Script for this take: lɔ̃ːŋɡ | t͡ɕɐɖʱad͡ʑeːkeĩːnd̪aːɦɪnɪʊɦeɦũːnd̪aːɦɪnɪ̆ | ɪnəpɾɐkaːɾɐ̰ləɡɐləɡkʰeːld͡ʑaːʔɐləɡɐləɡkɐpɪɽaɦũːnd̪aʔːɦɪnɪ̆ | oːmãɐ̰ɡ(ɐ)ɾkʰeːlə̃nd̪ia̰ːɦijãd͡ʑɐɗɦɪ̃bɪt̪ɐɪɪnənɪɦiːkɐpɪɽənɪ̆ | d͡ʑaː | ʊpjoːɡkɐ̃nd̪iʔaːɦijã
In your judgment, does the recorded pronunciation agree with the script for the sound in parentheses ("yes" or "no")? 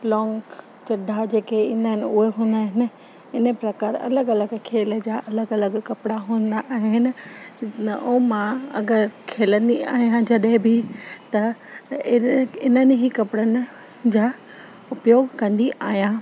no